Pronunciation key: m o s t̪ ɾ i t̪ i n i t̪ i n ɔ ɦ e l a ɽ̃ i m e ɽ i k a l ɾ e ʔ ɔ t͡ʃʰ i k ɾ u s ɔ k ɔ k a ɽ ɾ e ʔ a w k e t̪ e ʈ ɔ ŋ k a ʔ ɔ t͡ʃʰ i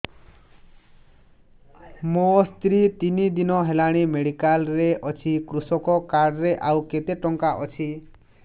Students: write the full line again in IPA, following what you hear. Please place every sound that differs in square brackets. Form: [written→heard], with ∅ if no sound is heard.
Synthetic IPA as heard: m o s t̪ ɾ i t̪ i n i [t̪→d̪] i n ɔ ɦ e l a ɽ̃ i m e ɽ i k a l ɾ e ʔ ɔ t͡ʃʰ i k ɾ u s ɔ k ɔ k a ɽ ɾ e ʔ a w k e t̪ e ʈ ɔ ŋ k a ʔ ɔ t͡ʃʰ i